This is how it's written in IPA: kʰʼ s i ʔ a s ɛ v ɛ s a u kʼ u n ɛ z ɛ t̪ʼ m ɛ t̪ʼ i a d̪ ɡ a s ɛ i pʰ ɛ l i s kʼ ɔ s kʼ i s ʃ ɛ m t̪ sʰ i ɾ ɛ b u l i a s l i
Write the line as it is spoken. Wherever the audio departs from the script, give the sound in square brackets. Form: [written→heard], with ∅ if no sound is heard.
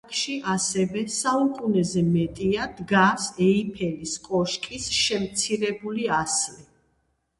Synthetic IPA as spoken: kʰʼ [s→ʃ] i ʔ a s ɛ v ɛ s a u kʼ u n ɛ z ɛ [t̪ʼ→∅] m ɛ t̪ʼ i a d̪ ɡ a s ɛ i pʰ ɛ l i s kʼ ɔ [s→ʃ] kʼ i s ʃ ɛ m t̪ sʰ i ɾ ɛ b u l i a s l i